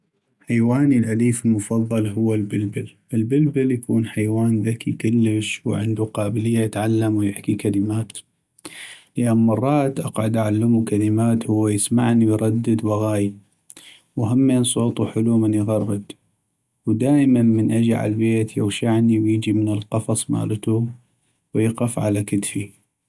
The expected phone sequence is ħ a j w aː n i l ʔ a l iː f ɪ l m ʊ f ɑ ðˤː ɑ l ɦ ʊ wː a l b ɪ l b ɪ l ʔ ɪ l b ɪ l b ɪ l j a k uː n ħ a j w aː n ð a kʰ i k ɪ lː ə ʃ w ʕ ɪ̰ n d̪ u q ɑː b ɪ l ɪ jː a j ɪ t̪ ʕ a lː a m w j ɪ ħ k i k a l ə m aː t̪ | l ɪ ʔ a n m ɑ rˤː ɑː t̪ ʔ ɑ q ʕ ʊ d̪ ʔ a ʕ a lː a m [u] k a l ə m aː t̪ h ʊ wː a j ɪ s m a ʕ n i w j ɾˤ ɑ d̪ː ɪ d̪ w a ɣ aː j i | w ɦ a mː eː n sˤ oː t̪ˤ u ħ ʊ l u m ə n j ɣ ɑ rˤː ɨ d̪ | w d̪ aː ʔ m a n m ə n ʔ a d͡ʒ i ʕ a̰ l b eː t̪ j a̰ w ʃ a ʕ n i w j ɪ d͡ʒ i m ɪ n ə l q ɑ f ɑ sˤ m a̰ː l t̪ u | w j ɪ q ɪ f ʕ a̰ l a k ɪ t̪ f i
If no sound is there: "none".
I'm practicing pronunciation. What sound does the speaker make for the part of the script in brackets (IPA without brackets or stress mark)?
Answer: u